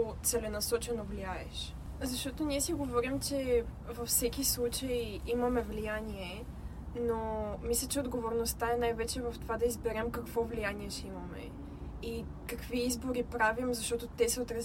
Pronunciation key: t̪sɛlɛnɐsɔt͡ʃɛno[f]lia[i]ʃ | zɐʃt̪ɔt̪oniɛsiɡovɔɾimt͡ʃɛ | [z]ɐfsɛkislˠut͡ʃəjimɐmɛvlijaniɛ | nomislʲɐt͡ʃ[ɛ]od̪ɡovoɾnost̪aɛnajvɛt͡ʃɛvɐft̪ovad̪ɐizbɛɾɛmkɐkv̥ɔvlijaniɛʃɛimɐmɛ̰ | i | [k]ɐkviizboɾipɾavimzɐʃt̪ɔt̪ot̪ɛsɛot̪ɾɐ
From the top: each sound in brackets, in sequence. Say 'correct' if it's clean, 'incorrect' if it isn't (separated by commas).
incorrect, incorrect, incorrect, correct, correct